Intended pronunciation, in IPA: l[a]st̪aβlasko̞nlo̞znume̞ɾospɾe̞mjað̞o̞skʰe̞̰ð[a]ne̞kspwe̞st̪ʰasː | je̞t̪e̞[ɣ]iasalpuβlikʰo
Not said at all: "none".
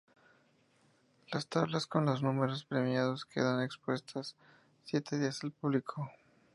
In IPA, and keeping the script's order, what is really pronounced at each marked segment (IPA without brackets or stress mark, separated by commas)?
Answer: a, a, ð